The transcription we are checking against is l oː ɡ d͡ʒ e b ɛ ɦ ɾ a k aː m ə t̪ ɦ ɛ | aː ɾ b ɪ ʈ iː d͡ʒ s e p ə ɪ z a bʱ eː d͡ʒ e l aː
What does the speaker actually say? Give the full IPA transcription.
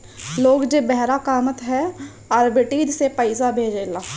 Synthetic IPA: l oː ɡ d͡ʒ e b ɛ ɦ ɾ a k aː m ə t̪ ɦ ɛ | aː ɾ b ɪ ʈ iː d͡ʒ s e p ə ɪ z a bʱ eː d͡ʒ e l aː